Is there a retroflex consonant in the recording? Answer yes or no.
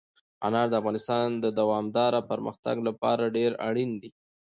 yes